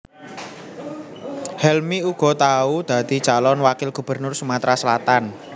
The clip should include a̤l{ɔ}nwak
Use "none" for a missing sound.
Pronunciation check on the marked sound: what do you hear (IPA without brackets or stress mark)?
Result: ɔ